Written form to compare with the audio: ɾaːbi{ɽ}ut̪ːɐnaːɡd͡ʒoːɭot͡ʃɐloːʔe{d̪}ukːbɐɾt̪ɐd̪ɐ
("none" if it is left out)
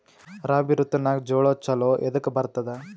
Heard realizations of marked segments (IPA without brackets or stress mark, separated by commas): ɾ, d̪